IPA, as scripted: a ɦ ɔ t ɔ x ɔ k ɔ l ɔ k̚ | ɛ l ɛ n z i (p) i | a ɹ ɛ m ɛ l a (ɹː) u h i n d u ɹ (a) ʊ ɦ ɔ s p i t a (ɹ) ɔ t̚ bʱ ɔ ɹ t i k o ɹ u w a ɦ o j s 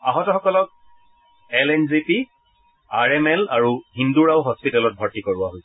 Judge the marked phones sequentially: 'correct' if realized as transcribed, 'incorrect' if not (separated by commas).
correct, incorrect, correct, incorrect